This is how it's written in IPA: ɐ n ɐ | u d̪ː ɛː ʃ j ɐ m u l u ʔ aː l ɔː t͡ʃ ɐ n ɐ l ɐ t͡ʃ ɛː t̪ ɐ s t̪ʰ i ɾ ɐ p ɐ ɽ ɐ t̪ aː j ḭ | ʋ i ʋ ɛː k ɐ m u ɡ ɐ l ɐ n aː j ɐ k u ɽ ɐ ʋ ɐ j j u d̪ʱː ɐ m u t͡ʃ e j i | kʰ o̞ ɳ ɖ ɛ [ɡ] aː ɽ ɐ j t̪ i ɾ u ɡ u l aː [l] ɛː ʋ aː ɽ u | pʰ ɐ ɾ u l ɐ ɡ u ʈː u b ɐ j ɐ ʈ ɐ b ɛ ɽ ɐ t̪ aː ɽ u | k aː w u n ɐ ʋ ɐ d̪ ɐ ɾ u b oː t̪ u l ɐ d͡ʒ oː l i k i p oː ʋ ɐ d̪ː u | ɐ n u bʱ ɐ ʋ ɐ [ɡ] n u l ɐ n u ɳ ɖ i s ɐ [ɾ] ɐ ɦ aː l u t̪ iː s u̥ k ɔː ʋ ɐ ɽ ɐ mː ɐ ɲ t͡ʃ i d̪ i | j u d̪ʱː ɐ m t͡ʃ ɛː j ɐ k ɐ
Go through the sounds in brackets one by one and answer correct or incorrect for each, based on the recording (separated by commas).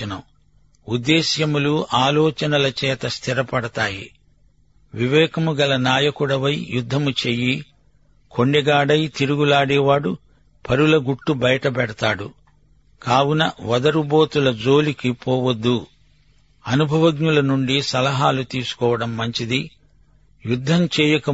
correct, incorrect, correct, incorrect